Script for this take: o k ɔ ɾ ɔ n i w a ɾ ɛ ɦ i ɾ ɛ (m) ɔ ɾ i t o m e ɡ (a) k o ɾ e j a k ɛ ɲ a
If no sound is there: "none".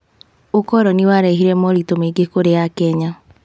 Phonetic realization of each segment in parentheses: m, e

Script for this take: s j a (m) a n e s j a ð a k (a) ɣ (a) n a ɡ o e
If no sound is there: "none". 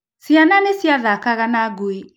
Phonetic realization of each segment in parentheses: n, a, a

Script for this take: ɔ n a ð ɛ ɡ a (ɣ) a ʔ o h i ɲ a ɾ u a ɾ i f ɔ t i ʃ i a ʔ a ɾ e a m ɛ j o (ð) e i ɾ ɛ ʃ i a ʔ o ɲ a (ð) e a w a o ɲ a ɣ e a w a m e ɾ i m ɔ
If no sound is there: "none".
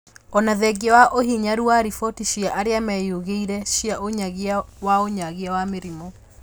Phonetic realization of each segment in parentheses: w, ɣ, ɣ

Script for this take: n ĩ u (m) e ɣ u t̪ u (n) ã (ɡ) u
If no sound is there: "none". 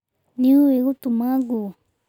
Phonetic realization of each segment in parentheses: none, m, ɡ

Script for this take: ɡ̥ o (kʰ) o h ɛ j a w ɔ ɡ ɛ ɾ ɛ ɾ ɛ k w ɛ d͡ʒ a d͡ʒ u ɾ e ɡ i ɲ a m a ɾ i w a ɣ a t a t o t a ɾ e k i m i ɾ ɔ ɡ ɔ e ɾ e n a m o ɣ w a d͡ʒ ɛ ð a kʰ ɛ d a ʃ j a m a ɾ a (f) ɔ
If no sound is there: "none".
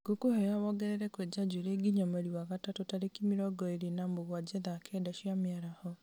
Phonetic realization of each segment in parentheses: k, h

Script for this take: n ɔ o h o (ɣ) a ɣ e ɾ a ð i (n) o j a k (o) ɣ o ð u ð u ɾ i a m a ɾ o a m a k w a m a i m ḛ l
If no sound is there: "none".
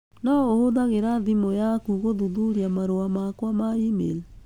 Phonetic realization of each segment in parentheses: ð, m, u

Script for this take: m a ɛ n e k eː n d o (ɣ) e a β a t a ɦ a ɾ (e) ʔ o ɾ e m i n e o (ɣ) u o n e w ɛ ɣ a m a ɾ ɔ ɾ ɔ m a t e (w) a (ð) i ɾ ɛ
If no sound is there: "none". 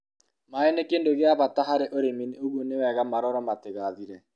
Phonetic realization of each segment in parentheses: ɣ, e, ɣ, ɣ, ð

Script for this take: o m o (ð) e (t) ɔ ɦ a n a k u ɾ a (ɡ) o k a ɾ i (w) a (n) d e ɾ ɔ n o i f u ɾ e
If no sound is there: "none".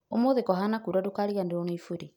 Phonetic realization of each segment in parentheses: ð, k, d, ɣ, n

